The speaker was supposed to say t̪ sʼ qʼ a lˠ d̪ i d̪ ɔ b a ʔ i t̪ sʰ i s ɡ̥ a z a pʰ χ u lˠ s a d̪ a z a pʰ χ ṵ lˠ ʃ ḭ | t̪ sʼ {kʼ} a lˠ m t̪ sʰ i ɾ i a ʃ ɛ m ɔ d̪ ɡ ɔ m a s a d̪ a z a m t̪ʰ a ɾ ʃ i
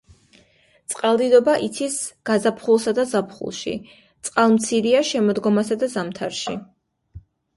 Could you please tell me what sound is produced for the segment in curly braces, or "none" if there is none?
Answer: qʼ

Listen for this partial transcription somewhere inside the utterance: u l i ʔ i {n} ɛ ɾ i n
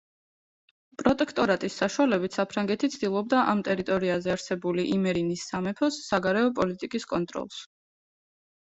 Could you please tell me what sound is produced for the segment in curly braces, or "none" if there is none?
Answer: m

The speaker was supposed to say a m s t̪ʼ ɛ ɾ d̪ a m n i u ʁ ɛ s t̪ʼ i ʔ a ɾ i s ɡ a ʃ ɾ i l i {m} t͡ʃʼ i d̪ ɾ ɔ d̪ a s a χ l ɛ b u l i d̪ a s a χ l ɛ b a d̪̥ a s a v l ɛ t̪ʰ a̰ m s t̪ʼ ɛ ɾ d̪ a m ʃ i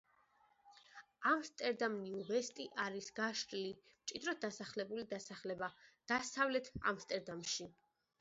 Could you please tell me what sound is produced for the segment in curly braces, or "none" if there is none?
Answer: m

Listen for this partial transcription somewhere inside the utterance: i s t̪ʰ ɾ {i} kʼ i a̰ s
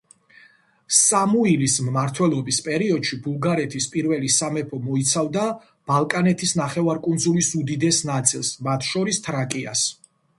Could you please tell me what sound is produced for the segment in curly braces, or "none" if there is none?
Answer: a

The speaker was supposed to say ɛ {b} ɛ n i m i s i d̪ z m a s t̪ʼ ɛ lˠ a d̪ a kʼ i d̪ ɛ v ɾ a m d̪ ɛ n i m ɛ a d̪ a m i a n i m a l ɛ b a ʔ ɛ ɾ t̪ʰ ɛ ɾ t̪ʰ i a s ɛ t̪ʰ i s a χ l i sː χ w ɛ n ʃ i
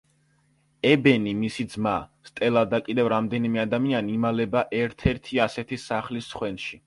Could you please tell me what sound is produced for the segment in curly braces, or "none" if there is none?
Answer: b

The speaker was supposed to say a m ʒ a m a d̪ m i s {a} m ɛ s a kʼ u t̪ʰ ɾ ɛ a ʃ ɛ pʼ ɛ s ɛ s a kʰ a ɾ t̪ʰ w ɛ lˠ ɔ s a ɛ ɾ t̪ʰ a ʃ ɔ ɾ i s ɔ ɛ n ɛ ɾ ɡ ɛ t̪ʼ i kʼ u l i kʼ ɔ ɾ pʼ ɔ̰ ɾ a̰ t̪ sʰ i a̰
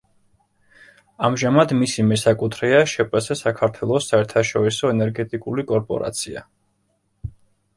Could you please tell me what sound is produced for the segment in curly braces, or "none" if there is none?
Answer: i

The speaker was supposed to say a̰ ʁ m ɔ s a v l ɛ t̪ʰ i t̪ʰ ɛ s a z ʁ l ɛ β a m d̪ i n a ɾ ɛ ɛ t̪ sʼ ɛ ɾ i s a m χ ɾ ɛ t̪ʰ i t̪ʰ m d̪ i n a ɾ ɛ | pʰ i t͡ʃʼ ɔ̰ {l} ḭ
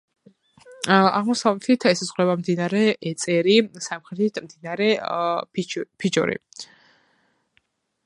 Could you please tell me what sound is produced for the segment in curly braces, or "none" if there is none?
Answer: ɾ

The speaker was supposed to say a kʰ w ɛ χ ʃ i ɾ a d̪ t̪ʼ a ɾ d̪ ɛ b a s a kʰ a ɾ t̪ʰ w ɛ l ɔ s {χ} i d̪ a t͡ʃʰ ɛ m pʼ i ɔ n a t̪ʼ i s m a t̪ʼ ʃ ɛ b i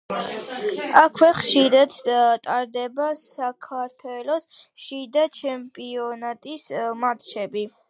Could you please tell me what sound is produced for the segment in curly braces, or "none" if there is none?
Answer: ʃ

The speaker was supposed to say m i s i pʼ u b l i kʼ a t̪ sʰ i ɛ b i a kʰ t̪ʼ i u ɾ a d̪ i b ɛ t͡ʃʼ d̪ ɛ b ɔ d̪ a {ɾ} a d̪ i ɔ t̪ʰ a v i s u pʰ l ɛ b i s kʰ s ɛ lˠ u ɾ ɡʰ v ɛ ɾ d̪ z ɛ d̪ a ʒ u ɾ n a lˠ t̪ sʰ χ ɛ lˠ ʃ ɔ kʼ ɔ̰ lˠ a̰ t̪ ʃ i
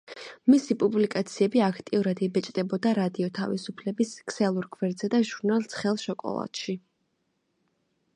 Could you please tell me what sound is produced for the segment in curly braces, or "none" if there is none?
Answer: ɾ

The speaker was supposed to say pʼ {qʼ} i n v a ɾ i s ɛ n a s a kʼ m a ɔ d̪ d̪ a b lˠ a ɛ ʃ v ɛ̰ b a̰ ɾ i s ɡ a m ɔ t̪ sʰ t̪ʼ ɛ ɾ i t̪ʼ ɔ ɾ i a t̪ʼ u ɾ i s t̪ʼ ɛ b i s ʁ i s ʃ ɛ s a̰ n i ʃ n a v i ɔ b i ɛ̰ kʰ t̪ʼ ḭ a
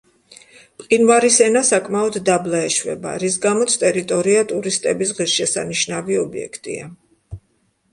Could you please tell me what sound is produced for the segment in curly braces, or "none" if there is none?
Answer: qʼ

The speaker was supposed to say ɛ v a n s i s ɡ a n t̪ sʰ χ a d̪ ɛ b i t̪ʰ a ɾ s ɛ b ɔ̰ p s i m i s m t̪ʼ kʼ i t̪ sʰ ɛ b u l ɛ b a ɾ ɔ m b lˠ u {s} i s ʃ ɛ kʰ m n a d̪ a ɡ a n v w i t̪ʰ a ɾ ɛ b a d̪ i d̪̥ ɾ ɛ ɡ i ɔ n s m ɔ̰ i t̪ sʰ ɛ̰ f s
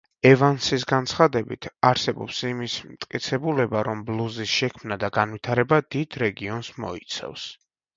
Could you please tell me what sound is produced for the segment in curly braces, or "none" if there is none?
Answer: z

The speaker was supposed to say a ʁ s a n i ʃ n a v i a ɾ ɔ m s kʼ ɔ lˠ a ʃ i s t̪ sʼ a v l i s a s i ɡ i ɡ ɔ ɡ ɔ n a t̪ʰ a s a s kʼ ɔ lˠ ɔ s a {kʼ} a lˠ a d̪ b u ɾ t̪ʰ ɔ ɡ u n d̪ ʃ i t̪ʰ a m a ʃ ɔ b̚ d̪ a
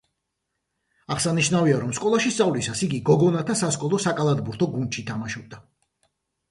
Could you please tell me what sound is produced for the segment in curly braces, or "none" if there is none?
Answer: kʼ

